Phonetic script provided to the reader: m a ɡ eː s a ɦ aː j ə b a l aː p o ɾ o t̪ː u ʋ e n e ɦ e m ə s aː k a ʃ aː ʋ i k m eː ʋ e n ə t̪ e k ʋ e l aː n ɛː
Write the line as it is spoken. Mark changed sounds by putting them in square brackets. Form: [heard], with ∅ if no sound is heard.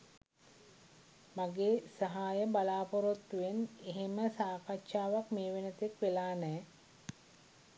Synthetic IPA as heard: m a ɡ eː s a ɦ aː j ə b a l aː p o ɾ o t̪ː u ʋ e n e ɦ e m ə s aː k a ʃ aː ʋ [a] k m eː ʋ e n ə t̪ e k ʋ e l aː n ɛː